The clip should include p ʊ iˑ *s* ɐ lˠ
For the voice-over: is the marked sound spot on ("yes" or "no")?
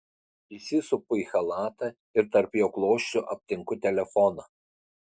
no